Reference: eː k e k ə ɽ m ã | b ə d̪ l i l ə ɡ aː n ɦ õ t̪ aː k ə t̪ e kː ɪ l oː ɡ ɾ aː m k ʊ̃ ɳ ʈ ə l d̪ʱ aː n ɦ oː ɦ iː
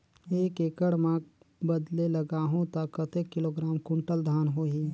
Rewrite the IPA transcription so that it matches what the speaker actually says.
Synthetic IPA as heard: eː k e k ə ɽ m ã | b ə d̪ l e l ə ɡ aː ɦ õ t̪ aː k ə t̪ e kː ɪ l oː ɡ ɾ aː m k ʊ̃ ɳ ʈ ə l d̪ʱ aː n ɦ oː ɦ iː